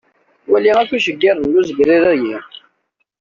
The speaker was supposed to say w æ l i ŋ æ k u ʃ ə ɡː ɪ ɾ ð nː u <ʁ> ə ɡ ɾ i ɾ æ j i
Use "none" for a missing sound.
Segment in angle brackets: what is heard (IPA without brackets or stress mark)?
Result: z